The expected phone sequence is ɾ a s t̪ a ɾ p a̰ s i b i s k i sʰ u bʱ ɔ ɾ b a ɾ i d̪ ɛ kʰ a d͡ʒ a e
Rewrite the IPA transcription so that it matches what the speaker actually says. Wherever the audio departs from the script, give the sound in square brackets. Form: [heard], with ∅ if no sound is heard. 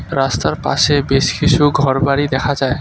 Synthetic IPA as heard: ɾ a s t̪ a ɾ p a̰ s [e] b [e] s k i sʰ u [ɡʱ] ɔ ɾ b a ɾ i d̪ ɛ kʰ a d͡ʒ a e